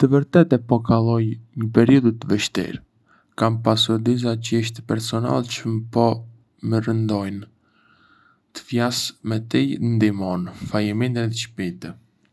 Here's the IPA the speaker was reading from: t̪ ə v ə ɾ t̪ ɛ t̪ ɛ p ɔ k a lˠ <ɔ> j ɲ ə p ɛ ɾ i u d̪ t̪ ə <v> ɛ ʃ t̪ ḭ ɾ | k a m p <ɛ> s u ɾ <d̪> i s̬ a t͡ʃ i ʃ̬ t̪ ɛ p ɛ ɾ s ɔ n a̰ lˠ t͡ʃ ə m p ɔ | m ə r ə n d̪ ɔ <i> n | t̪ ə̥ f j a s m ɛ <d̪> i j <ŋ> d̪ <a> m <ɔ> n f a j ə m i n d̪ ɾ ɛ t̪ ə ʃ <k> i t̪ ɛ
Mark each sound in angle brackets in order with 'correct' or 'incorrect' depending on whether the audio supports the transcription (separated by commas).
correct, correct, incorrect, correct, incorrect, incorrect, incorrect, incorrect, correct, incorrect